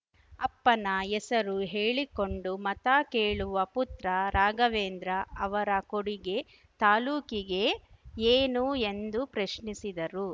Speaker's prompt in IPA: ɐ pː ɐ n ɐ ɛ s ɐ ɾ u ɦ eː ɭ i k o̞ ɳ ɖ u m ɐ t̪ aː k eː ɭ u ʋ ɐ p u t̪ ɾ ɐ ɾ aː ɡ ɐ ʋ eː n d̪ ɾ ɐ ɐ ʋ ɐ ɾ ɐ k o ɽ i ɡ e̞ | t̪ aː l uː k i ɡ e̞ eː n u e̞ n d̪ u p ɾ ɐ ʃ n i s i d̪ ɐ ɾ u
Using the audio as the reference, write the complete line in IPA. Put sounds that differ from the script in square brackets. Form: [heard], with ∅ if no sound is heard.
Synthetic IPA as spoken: ɐ pː ɐ n ɐ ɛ s ɐ ɾ u ɦ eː ɭ i k o̞ ɳ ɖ u m ɐ t̪ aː k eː ɭ u ʋ ɐ p u t̪ ɾ ɐ ɾ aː ɡ ɐ ʋ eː n d̪ ɾ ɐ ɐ ʋ ɐ ɾ ɐ k o ɽ i ɡ e̞ | t̪ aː l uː k i ɡ e̞ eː n u e̞ n d̪ u p ɾ ɐ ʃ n i s i d̪ ɐ ɾ u